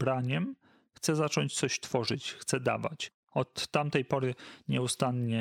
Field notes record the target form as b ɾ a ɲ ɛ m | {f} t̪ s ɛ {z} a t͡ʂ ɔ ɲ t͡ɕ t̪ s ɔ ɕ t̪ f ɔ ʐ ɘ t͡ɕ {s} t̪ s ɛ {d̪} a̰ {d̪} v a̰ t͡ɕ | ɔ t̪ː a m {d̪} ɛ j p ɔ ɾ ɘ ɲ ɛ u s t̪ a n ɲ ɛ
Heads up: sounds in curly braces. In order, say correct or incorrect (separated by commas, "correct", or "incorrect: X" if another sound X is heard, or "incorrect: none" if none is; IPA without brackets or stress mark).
incorrect: x, correct, incorrect: x, correct, incorrect: none, incorrect: t̪